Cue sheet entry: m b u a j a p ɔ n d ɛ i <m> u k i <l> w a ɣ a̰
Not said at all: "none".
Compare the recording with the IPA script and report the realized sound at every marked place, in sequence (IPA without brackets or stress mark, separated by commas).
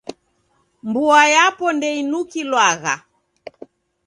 n, l